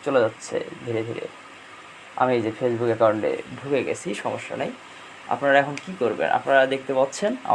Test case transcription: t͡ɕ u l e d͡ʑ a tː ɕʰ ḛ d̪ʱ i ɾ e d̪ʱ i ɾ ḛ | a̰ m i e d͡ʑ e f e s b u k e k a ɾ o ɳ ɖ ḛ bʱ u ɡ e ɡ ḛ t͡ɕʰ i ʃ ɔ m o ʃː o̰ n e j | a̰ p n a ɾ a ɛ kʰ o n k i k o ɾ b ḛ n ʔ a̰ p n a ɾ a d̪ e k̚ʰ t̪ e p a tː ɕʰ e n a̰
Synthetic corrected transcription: t͡ɕ o l e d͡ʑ a tː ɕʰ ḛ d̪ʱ i ɾ e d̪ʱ i ɾ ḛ | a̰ m i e d͡ʑ e f e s b u k e k a ɾ o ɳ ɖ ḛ bʱ u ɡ e ɡ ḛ t͡ɕʰ i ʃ ɔ m o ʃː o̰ n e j | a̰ p n a ɾ a ɛ kʰ o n k i k o ɾ b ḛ n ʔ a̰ p n a ɾ a d̪ e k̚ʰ t̪ e p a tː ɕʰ e n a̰